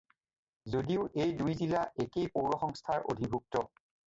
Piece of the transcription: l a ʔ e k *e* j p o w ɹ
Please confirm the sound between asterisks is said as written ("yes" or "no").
yes